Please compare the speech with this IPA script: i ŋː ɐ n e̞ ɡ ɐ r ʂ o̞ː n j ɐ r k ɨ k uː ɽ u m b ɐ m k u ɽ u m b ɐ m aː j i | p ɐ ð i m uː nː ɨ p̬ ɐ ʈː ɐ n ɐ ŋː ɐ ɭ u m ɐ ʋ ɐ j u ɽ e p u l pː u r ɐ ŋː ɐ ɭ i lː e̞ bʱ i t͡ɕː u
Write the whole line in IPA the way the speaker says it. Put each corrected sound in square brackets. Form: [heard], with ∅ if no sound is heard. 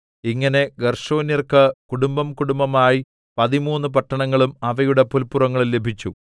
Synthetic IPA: i ŋː ɐ n e̞ ɡ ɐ r ʂ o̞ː n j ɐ r k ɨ k [u] ɽ u m b ɐ m k u ɽ u m b ɐ m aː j i | p ɐ ð i m uː nː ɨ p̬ ɐ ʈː ɐ [ɳ] ɐ ŋː ɐ ɭ u m ɐ ʋ ɐ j u ɽ e p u l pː u r ɐ ŋː ɐ ɭ i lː e̞ bʱ i t͡ɕː u